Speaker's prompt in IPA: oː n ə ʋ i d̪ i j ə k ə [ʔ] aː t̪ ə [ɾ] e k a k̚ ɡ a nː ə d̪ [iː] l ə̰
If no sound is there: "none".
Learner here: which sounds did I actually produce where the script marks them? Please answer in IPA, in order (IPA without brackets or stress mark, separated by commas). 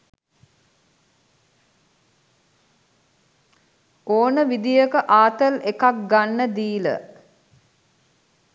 ʔ, l, iː